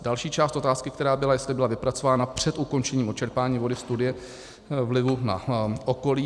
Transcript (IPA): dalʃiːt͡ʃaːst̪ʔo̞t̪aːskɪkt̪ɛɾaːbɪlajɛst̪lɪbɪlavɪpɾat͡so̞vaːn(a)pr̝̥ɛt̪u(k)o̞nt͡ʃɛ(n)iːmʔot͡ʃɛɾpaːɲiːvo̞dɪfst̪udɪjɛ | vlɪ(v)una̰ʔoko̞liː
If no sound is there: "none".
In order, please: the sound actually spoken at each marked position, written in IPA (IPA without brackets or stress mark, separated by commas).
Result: a, k, ɲ, v